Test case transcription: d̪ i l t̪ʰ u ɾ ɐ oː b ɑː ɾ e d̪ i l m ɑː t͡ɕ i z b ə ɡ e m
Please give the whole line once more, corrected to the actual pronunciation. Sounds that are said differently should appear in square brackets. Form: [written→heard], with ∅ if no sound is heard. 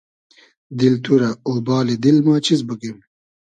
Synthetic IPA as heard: d̪ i l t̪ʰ u ɾ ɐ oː b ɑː [ɾ→l] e d̪ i l m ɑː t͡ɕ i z b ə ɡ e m